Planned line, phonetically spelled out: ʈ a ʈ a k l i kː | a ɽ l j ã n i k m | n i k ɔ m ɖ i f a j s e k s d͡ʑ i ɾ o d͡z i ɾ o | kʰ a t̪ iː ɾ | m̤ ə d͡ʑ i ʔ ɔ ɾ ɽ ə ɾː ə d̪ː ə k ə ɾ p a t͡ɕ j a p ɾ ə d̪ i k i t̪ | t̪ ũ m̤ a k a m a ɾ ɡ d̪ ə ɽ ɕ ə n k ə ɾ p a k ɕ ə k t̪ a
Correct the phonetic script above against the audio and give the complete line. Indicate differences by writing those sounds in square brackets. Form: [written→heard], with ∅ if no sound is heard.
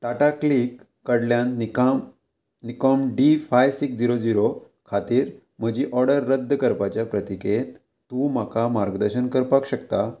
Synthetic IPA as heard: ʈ a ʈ a k l i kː | [a→ə] ɽ l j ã n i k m | n i k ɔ m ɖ i f a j s [e→i] k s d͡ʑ i ɾ o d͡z i ɾ o | kʰ a t̪ iː ɾ | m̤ ə d͡ʑ i ʔ ɔ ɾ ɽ ə ɾː ə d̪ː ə k ə ɾ p a t͡ɕ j a p ɾ ə [d̪→t̪] i k [i→e] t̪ | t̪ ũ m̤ a k a m a ɾ ɡ d̪ ə [ɽ→ɾ] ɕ ə n k ə ɾ p a k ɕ ə k t̪ a